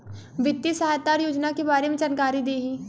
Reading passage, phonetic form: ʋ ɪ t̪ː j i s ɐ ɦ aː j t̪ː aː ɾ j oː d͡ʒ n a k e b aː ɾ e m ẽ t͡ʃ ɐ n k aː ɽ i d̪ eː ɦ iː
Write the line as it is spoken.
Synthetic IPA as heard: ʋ ɪ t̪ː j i s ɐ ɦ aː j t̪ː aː ɾ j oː d͡ʒ n a k e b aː ɾ e m ẽ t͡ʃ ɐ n k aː ɾ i d̪ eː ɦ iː